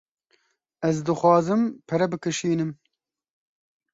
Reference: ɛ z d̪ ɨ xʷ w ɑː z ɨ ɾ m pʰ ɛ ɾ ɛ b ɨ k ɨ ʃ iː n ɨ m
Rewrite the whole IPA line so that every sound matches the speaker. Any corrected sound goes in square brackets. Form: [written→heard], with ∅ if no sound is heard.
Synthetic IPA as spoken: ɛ z d̪ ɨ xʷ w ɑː z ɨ [ɾ→∅] m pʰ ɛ ɾ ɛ b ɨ k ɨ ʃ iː n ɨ m

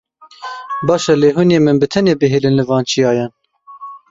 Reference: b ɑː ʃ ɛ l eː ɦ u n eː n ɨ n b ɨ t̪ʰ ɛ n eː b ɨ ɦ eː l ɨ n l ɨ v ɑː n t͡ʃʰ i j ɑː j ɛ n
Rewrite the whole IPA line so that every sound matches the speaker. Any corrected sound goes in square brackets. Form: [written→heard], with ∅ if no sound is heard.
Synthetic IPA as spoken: b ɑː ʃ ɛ l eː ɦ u n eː [n→m] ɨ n b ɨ t̪ʰ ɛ n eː b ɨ ɦ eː l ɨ n l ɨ v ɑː n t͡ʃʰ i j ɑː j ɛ n

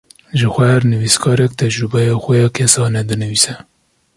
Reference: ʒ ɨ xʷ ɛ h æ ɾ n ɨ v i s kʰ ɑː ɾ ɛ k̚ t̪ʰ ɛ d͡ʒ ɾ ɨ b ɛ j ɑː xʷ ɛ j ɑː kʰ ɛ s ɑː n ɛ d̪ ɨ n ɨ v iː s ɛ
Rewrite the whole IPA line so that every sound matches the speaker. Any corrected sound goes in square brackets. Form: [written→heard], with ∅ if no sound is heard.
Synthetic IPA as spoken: ʒ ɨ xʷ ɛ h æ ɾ n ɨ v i s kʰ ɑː ɾ ɛ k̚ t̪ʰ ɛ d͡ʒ ɾ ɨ b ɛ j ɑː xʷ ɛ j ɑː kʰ ɛ s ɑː n ɛ d̪ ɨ n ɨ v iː s ɛ

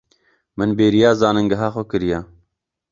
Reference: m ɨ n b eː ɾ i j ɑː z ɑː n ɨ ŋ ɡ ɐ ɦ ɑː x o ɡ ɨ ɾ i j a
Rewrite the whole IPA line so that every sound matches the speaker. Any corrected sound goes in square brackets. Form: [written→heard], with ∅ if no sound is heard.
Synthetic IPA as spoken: m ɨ n b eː ɾ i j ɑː z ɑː n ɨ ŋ ɡ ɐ ɦ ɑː x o [ɡ→k] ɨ ɾ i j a

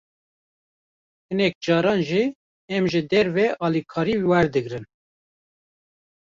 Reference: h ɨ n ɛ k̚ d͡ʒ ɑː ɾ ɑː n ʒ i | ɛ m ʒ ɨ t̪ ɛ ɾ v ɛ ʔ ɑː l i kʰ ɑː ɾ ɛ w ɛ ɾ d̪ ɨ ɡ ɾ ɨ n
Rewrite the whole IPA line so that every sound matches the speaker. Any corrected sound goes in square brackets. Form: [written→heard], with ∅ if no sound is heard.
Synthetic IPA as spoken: h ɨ n ɛ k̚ d͡ʒ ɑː ɾ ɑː n ʒ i | ɛ m ʒ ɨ [t̪→d̪] ɛ ɾ v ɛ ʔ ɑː l i kʰ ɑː ɾ [ɛ→i] w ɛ ɾ d̪ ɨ ɡ ɾ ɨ n

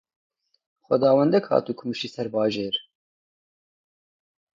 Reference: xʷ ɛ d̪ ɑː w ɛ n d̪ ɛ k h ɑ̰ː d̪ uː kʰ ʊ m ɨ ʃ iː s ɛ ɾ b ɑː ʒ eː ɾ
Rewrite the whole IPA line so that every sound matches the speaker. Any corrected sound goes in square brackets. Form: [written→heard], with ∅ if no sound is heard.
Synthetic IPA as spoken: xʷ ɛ d̪ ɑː w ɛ n d̪ ɛ k h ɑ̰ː [d̪→t̪] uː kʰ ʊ m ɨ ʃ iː s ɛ ɾ b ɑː ʒ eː ɾ

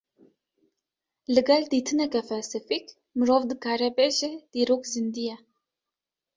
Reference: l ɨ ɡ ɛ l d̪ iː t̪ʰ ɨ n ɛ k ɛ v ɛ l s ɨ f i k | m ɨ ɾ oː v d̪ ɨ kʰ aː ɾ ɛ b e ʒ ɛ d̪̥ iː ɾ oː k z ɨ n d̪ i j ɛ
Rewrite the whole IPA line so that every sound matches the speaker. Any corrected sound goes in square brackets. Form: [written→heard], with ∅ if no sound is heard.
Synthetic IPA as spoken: l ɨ ɡ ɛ l d̪ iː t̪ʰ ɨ n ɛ k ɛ [v→f] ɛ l s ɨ f i k | m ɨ ɾ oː v d̪ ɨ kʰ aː ɾ ɛ b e ʒ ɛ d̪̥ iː ɾ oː k z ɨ n d̪ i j ɛ

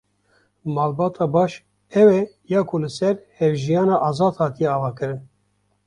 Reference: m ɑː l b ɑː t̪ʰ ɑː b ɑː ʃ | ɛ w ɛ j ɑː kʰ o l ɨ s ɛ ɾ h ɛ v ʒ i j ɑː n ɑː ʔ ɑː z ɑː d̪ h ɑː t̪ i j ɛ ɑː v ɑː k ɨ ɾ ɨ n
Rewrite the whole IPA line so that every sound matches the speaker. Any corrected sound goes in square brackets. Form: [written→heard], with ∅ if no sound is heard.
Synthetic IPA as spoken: m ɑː l b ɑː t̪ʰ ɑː b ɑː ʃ | ɛ w ɛ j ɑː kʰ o l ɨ s ɛ ɾ h ɛ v ʒ i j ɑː n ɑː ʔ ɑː z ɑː d̪ h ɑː t̪ i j ɛ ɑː v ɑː k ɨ ɾ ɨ n

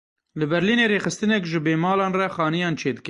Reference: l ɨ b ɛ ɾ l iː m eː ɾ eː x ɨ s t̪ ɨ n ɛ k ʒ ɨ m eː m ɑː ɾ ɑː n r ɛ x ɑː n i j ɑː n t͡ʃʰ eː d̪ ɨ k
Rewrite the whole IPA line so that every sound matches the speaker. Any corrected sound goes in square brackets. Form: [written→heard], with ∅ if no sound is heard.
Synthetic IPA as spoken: l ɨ b ɛ ɾ l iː [m→n] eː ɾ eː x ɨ s t̪ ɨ n ɛ k ʒ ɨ [m→b] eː m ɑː [ɾ→l] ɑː n r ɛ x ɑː n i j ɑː n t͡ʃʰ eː d̪ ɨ k

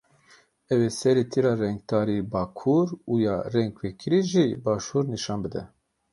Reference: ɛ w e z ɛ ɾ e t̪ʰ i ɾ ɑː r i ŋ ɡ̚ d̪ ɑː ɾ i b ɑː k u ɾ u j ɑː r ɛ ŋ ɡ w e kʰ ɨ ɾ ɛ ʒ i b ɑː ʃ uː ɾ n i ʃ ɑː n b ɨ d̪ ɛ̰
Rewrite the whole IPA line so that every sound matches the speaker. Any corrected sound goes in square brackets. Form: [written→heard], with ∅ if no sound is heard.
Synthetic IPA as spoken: ɛ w e [z→s] ɛ ɾ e t̪ʰ i ɾ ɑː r [i→ɛ] ŋ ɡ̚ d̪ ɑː ɾ i b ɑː [k→kʰ] u ɾ u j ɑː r ɛ ŋ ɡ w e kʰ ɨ ɾ [ɛ→i] ʒ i b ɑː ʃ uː ɾ n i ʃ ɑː n b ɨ d̪ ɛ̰

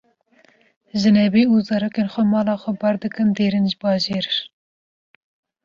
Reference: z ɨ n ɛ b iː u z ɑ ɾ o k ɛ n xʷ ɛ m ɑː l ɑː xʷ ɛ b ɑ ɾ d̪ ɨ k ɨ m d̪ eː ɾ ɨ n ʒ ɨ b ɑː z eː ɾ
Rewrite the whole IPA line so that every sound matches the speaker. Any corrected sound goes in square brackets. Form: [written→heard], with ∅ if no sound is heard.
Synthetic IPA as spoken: [z→ʒ] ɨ n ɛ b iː u z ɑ ɾ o k [ɛ→e] n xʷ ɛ m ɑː l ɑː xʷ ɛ b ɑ ɾ d̪ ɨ k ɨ [m→n] d̪ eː ɾ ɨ n ʒ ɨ b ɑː [z→ʒ] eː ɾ

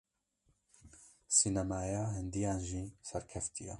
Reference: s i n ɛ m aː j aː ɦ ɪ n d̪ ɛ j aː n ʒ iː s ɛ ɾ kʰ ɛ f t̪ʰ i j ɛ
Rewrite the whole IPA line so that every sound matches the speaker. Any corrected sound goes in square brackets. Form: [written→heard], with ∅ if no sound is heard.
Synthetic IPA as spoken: s i n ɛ m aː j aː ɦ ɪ n d̪ [ɛ→i] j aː n ʒ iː s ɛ ɾ kʰ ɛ f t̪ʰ i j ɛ

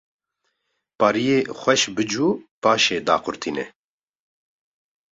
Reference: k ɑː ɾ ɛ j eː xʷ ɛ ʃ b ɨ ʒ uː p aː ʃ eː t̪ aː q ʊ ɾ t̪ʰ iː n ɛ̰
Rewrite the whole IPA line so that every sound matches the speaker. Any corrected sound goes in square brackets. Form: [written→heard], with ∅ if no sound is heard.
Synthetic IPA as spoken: [k→p] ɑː ɾ [ɛ→i] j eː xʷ ɛ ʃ b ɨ [ʒ→d͡ʒ] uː p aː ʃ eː [t̪→d̪] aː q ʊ ɾ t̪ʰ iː n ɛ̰

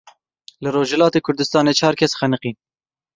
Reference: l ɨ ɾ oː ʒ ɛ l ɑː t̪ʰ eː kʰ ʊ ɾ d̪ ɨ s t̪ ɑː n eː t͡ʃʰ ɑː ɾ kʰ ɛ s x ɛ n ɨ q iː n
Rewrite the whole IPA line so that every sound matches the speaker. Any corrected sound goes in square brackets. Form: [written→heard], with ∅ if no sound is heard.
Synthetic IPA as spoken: l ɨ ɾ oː ʒ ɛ l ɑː [t̪ʰ→t̪] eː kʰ ʊ ɾ d̪ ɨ s t̪ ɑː n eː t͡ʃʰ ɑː ɾ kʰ ɛ s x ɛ n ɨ q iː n

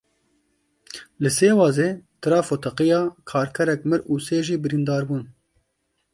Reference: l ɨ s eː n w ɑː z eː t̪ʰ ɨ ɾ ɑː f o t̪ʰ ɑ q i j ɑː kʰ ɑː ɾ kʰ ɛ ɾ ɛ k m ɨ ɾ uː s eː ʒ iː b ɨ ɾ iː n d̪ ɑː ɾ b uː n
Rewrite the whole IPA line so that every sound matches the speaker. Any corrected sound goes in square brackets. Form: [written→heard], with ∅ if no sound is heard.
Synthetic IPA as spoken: l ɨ s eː [n→∅] w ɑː z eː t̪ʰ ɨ ɾ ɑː f o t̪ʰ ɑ q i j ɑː kʰ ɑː ɾ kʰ ɛ ɾ ɛ k m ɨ ɾ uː s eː ʒ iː b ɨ ɾ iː n d̪ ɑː ɾ b uː n

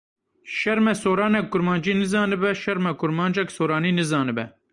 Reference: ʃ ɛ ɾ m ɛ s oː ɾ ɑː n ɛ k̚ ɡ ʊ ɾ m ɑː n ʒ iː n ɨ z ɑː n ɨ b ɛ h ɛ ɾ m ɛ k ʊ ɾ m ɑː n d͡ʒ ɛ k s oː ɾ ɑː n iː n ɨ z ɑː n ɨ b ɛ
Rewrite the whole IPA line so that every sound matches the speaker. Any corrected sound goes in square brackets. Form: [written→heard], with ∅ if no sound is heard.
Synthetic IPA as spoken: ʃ ɛ ɾ m ɛ s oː ɾ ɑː n ɛ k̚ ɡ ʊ ɾ m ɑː n [ʒ→d͡ʒ] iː n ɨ z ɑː n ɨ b ɛ [h→ʃ] ɛ ɾ m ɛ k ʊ ɾ m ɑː n d͡ʒ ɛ k s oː ɾ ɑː n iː n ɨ z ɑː n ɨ b ɛ

